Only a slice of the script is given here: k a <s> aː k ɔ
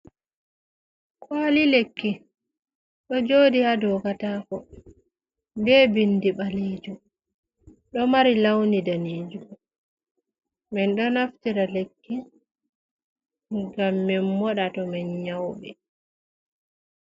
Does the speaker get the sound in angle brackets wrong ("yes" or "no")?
yes